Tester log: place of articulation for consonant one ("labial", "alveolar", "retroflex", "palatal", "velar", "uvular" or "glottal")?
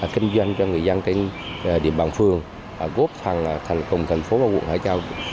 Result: velar